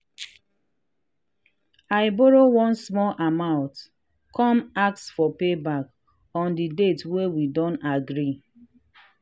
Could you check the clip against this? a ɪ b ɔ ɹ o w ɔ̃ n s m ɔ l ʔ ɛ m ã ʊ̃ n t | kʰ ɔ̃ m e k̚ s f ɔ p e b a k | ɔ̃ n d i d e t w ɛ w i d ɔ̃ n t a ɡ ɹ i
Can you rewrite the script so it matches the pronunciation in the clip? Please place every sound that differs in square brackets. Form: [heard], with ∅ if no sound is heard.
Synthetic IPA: a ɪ b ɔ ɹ o w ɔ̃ n s m ɔ l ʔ [a] m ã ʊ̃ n t | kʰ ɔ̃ m [a] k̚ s f ɔ p e b a k | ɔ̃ n d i d e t w [e] w i d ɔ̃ n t a ɡ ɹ i

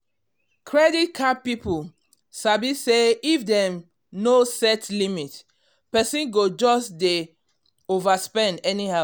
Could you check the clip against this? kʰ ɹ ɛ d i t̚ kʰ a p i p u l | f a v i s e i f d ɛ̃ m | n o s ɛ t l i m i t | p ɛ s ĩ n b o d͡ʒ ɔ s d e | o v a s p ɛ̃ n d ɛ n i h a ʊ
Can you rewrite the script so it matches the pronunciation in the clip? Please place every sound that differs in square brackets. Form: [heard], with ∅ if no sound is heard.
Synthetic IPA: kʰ ɹ ɛ d i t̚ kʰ a p i p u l | [s] a [b] i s e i f d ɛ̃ m | n o s ɛ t l i m i t | p ɛ s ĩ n [ɡ] o d͡ʒ ɔ s d e | o v a s p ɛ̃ n d ɛ n i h a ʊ

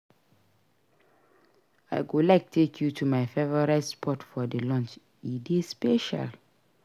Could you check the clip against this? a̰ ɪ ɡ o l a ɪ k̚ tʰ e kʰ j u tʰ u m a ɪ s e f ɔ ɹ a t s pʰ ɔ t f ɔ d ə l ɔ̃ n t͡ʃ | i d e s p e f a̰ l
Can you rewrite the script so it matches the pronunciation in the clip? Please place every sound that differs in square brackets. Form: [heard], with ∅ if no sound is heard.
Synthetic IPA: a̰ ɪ ɡ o l a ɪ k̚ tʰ e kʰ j u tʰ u m a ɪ [f] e [v] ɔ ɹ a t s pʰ ɔ t f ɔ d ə l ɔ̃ n t͡ʃ | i d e s p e [ʃ] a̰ l

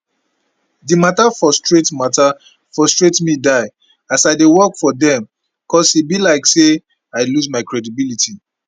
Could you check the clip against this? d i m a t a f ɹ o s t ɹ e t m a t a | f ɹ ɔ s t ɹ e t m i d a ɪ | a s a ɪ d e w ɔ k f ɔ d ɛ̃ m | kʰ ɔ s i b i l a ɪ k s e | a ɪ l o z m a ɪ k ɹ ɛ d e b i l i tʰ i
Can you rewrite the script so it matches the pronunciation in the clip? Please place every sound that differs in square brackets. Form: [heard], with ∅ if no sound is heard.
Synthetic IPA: d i m a t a f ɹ [ɔ] s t ɹ e t m a t a | f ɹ ɔ s t ɹ e t m i d a ɪ | a s a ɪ d e w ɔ k f ɔ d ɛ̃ m | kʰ ɔ s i b i l a ɪ k s e | a ɪ l [u] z m a ɪ k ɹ ɛ d [i] b i l i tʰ i

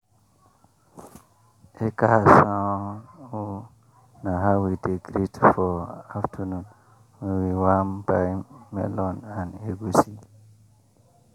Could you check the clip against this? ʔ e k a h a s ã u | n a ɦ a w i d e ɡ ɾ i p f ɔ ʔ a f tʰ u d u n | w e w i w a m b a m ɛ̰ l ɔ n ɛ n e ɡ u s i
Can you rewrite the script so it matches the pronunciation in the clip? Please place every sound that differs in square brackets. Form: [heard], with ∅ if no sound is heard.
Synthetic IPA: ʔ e k a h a s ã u | n a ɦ a w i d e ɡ ɾ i [t] f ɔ [∅] a f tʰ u [n] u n | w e w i w a m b a m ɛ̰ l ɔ n [a] n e ɡ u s i

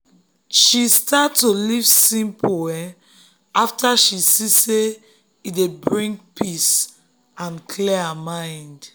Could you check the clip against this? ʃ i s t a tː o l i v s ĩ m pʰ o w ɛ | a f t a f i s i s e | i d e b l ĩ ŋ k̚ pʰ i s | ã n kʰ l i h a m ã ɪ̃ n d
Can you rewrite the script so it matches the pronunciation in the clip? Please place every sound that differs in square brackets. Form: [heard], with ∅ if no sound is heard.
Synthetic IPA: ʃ i s t a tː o l i v s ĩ m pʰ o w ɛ | a f t a [ʃ] i s i s e | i d e b [ɹ] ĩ ŋ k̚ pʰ i s | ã n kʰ l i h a m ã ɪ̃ n d

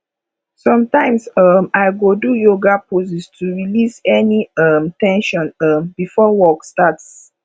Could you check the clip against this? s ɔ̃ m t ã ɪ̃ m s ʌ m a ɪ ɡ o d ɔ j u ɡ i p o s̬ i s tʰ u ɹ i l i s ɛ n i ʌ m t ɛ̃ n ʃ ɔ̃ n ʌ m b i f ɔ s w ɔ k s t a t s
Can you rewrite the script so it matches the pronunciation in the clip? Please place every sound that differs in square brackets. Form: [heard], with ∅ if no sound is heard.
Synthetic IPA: s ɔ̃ m t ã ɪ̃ m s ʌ m a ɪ ɡ o d [u] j [o] ɡ [a] p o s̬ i s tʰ u ɹ i l i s ɛ n i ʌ m t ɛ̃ n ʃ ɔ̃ n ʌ m b i f ɔ [∅] w ɔ k s t a t s

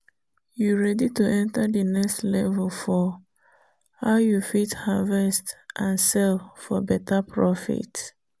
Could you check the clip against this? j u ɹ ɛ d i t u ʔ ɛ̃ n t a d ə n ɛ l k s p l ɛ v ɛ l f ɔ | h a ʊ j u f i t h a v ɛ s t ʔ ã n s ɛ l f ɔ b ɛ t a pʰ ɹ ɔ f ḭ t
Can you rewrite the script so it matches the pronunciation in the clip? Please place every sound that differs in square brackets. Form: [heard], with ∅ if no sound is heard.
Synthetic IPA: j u ɹ ɛ d i t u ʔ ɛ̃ n t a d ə n ɛ [∅] k s [t] l ɛ v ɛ l f ɔ | h a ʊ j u f i t h a v ɛ s t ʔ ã n s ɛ l f ɔ b ɛ t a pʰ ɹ ɔ f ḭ t

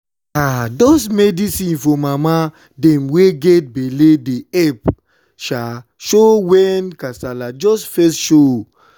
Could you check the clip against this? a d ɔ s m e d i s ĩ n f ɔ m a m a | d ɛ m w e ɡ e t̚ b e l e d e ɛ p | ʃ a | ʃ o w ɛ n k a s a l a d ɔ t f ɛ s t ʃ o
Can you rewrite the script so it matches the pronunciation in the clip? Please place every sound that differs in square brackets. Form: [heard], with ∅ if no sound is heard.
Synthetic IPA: a d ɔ s m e d i s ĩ n f ɔ m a m a | d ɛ m w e ɡ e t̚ b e l e d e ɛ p | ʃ a | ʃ o w ɛ n k a s a l a [d͡ʒ] ɔ [s] f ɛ s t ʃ o

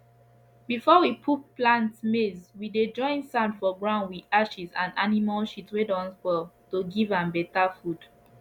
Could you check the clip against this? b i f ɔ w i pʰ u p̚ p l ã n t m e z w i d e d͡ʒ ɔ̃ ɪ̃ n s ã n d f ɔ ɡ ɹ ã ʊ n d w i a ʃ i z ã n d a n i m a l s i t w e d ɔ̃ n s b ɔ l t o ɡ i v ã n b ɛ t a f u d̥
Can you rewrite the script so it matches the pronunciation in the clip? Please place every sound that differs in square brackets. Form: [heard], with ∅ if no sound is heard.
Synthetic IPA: b i f ɔ w i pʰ u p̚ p l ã n t m e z w i d e d͡ʒ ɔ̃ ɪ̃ n s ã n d f ɔ ɡ ɹ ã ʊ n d w i a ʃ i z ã n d a n i m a l [ʃ] i t w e d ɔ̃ n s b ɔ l t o ɡ i v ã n b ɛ t a f u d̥

